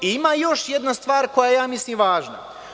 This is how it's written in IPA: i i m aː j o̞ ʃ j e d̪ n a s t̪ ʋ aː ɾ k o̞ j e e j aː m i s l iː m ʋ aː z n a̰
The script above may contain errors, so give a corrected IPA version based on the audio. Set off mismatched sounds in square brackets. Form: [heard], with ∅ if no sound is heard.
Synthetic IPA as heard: i i m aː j o̞ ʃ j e d̪ n a s t̪ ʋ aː ɾ k o̞ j [a] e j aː m i s l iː m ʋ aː [ʒ] n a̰